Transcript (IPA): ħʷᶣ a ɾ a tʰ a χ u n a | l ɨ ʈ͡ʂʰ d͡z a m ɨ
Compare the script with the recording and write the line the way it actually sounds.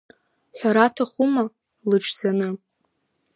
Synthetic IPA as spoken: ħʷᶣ a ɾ a tʰ a χ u m a | l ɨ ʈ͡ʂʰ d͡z a n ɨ